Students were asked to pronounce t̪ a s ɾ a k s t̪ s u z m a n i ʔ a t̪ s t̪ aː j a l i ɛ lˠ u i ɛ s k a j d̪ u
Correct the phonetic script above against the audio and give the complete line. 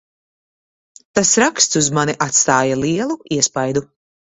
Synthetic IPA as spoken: t̪ a s ɾ a k s t̪ s u z m a n i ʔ a t̪ s t̪ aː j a l i ɛ lˠ u i ɛ s p a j d̪ u